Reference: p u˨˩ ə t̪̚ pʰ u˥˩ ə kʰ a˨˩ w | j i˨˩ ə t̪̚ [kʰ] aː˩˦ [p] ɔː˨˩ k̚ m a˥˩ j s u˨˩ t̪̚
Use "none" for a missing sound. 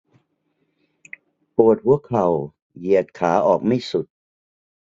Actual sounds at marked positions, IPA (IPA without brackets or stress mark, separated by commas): kʰ, ʔ